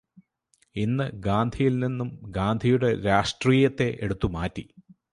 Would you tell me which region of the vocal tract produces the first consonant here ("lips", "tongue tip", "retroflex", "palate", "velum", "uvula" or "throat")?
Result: tongue tip